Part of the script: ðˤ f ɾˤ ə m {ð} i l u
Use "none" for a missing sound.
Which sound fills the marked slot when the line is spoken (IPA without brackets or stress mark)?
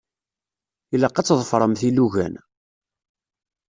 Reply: θ